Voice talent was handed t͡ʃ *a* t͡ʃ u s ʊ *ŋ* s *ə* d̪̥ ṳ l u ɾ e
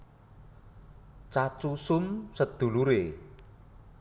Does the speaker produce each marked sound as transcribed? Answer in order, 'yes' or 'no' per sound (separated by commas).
yes, no, yes